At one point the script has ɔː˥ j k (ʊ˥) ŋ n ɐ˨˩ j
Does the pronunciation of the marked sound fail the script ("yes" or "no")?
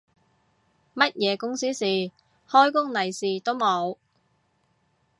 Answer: no